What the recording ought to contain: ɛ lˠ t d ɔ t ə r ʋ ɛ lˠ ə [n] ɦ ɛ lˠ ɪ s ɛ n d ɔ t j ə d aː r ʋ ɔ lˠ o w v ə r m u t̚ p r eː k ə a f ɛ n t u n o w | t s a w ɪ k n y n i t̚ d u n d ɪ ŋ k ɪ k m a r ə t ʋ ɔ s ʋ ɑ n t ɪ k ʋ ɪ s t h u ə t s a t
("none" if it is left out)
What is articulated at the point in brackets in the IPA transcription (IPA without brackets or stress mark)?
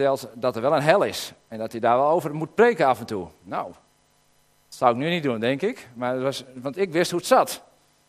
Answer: n